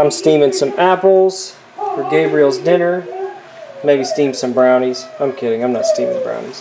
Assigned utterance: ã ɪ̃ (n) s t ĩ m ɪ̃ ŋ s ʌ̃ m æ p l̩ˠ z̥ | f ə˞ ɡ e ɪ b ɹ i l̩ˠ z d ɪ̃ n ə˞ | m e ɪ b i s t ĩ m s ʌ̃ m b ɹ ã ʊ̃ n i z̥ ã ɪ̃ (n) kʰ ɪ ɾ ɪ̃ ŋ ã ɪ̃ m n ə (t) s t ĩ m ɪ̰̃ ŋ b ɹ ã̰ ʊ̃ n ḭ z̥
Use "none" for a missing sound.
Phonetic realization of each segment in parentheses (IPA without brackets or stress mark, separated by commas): m, m, t